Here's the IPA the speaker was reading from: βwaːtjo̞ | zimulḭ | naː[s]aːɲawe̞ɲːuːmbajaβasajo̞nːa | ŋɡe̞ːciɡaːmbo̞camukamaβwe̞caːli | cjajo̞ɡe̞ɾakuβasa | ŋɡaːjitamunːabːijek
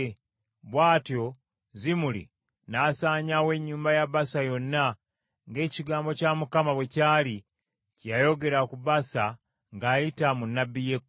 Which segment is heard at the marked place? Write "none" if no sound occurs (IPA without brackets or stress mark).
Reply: s